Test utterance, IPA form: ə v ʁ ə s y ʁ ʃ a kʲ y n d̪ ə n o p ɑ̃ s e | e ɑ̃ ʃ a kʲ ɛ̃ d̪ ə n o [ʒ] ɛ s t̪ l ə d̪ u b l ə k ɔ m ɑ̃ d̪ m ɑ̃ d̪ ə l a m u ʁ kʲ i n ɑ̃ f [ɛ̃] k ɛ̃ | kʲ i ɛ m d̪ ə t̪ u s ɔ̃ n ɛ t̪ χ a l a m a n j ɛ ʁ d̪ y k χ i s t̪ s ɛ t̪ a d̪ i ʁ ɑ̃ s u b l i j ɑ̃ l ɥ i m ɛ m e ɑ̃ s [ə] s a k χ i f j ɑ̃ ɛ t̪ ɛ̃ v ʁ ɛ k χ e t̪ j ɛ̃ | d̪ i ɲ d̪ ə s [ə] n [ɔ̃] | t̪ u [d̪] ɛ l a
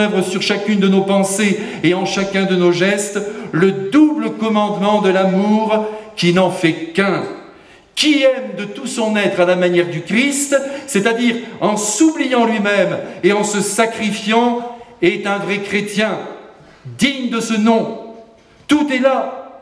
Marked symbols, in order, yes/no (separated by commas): yes, no, yes, yes, yes, no